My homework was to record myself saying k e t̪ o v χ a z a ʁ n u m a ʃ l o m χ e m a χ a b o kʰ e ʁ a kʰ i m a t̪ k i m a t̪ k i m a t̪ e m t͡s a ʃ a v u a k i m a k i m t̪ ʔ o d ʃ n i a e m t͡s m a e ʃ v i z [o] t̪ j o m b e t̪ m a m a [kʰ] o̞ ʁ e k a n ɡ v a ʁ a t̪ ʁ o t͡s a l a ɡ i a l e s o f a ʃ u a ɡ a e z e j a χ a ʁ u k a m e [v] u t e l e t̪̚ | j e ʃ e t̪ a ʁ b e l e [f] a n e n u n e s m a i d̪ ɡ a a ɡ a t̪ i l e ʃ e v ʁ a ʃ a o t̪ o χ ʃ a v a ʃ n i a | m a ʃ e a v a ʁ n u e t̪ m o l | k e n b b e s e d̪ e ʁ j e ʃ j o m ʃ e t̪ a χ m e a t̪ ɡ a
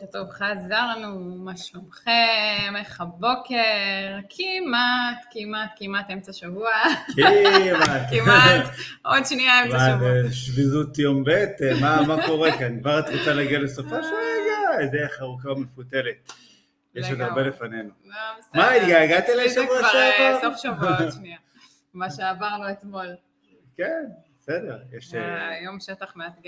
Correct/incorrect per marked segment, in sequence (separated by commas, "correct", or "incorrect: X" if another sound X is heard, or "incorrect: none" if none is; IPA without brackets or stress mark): incorrect: u, incorrect: k, incorrect: f, correct